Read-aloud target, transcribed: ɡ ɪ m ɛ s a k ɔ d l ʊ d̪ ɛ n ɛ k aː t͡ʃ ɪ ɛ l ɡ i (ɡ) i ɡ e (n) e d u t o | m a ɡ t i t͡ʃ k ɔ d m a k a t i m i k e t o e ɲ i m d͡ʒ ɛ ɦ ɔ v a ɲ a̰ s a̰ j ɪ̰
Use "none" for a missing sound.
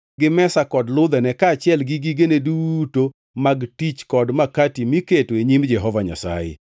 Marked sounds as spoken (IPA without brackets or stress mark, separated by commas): ɡ, n